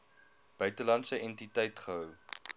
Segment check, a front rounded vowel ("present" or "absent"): present